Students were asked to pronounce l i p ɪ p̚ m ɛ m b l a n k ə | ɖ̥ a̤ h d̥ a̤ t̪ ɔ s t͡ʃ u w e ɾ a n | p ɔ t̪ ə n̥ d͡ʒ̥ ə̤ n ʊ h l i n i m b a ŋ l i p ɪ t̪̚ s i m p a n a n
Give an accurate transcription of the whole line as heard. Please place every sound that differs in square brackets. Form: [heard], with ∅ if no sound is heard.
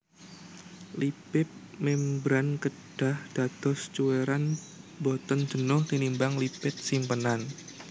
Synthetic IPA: l i p ɪ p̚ m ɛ m b [ɾ] a n k ə | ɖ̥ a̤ h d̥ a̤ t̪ ɔ s t͡ʃ u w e ɾ a n | [b] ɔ t̪ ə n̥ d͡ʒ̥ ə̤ n ʊ h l i n i m b a ŋ l i p ɪ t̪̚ s i m p [ə] n a n